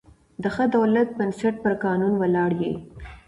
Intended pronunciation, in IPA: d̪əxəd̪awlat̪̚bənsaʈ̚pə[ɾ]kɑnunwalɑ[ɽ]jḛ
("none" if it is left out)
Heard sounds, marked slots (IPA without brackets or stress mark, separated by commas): ɾ, ɽ